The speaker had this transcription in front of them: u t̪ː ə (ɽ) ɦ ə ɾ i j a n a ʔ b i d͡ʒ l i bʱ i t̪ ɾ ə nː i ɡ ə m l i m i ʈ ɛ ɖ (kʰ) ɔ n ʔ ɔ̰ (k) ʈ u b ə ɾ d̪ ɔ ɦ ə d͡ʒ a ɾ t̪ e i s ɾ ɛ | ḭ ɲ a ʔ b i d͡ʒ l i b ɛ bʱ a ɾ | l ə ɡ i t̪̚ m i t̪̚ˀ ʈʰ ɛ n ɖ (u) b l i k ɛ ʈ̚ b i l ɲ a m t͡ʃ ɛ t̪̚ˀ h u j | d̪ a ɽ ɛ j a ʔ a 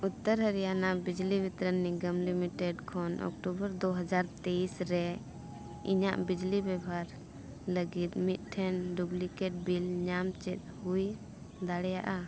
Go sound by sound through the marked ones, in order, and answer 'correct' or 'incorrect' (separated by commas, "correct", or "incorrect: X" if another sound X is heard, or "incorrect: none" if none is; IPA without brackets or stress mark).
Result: incorrect: ɾ, correct, correct, correct